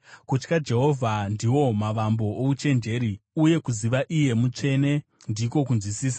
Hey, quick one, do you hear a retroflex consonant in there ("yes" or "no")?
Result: yes